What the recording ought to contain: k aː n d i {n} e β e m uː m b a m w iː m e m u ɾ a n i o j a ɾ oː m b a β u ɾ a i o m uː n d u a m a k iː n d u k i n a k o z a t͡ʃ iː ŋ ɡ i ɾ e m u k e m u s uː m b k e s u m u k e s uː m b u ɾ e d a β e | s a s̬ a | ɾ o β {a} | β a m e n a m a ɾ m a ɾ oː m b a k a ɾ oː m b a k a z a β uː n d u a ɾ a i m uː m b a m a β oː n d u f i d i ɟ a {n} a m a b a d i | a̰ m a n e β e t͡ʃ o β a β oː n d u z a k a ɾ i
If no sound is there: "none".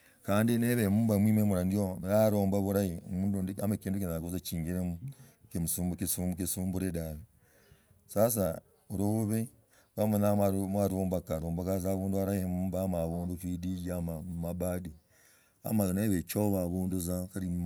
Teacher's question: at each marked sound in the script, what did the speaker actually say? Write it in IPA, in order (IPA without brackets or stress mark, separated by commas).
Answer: n, e, m